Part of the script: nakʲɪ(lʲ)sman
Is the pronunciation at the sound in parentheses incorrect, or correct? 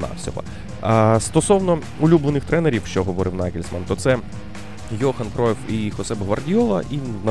correct